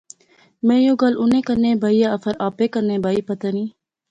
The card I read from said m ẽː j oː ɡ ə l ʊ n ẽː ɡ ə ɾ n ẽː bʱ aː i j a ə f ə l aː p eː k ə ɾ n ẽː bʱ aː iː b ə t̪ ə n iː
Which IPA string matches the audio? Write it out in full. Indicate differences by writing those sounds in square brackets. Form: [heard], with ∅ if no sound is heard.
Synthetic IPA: m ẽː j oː ɡ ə l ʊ n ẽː [k] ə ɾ n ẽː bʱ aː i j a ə f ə [ɾ] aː p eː k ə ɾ n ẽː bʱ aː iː [p] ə t̪ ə n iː